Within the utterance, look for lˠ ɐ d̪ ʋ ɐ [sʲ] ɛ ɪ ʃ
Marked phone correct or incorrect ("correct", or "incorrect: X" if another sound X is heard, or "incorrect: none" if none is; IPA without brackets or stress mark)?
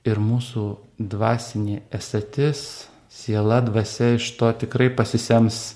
correct